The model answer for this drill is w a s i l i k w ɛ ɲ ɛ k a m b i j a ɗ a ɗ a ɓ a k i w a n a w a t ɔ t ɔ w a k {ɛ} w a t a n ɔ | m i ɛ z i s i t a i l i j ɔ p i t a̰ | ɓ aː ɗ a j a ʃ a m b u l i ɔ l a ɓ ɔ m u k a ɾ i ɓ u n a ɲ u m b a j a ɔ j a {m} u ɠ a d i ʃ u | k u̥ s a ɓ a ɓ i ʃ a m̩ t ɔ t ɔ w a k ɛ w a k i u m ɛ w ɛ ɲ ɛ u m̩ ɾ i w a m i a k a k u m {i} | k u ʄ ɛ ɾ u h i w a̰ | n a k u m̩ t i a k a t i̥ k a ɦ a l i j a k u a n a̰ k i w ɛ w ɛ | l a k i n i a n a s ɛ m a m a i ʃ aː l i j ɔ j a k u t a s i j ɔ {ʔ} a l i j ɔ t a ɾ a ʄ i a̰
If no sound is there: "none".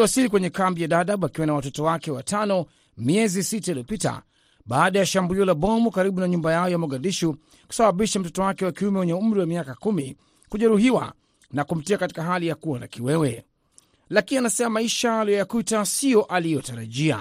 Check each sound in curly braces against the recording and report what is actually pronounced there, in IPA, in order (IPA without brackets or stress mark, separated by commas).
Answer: ɛ, m, i, ʔ